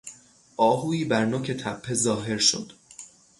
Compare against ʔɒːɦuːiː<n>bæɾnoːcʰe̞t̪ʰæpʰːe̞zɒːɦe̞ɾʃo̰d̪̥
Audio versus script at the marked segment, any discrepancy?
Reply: yes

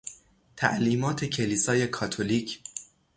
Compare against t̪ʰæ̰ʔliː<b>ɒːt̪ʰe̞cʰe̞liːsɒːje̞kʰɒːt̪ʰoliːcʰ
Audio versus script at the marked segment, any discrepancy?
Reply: yes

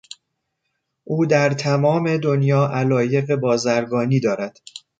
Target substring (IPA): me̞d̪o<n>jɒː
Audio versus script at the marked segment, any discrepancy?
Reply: no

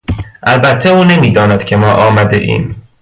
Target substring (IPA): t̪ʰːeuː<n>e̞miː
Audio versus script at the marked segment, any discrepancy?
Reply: no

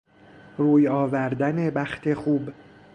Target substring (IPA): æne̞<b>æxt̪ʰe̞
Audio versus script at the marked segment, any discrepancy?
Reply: no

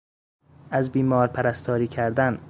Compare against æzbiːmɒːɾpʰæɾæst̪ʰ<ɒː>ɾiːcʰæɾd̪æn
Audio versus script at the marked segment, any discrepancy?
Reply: no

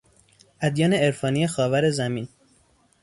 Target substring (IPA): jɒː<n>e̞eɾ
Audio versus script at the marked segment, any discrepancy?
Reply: no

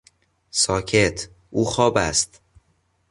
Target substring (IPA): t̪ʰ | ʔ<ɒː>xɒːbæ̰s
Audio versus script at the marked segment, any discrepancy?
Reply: yes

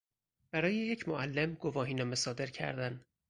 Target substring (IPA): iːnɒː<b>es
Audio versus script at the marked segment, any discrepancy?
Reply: yes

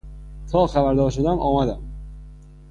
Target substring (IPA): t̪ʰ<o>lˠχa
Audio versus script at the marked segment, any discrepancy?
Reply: yes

